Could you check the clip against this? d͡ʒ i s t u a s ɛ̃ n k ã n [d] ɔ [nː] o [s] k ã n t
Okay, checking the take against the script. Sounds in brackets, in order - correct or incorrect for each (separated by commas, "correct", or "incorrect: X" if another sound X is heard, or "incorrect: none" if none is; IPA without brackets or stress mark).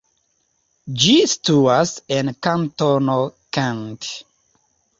incorrect: t, incorrect: n, incorrect: none